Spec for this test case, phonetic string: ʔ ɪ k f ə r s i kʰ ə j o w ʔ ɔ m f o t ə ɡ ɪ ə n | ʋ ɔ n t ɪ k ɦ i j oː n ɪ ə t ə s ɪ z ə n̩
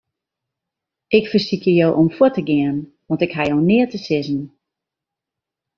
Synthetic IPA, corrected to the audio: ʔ ɪ k f ə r s i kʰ ə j o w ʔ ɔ m f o t ə ɡ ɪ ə n | ʋ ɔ n t ɪ k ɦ a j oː n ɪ ə t ə s ɪ z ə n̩